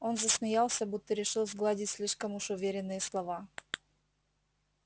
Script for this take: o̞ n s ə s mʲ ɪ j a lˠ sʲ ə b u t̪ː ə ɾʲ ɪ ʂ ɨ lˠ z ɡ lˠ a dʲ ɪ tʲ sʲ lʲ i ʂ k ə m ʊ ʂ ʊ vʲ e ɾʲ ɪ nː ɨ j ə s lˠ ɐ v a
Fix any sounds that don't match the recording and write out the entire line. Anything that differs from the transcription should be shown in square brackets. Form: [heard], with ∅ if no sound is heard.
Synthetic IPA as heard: o̞ n [z] ə s mʲ ɪ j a lˠ sʲ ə b u t̪ː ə ɾʲ ɪ ʂ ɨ lˠ z ɡ lˠ a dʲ ɪ tʲ sʲ lʲ i ʂ k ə m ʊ ʂ ʊ vʲ e ɾʲ ɪ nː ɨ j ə s lˠ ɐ v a